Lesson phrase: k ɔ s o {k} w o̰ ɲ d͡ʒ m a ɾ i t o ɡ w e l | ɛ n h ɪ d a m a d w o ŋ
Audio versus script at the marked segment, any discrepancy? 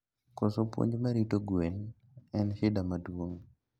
yes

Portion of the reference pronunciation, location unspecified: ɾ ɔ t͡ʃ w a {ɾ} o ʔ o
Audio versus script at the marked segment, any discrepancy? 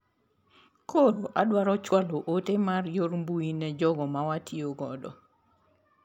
yes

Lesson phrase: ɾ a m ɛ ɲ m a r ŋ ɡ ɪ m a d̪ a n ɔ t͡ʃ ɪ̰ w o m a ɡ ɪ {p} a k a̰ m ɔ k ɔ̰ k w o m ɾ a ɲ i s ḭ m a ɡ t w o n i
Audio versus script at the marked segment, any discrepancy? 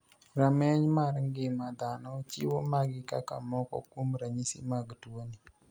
yes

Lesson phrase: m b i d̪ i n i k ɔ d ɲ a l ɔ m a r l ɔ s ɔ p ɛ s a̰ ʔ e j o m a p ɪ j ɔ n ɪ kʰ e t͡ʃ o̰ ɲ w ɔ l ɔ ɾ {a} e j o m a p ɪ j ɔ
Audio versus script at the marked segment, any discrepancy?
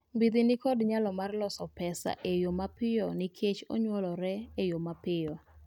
yes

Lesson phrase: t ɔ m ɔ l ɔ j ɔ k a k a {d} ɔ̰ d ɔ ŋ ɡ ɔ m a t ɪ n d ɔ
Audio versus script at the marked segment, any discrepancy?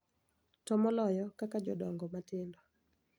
yes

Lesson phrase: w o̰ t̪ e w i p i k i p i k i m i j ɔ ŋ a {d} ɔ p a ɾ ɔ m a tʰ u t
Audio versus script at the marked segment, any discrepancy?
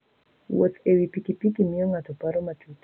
yes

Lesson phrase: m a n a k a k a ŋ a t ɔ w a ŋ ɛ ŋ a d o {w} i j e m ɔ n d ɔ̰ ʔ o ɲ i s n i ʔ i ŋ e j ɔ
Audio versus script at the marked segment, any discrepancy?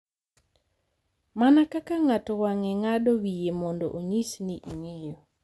no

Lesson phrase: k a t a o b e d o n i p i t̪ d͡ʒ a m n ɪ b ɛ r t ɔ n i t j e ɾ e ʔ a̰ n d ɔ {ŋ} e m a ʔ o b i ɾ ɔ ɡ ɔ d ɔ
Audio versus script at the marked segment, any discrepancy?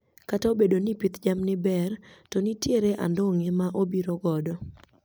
no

